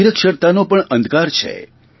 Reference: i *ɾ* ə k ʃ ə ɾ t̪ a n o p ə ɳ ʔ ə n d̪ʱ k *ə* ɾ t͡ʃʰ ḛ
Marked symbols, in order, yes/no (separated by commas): yes, no